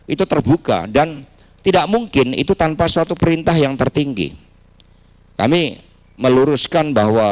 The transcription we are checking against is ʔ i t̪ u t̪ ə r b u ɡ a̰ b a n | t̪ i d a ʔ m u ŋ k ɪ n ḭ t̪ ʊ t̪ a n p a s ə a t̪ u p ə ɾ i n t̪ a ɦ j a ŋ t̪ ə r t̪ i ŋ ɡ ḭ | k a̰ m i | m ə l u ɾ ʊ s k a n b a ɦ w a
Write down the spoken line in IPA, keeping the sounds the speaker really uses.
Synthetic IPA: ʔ i t̪ u t̪ ə r b u k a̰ d a n | t̪ i d a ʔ m u ŋ k ɪ n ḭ t̪ u t̪ a n p a s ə a t̪ u p ə ɾ i n t̪ a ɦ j a ŋ t̪ ə r t̪ i ŋ ɡ ḭ | k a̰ m i | m ə l u ɾ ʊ s k a n b a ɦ w a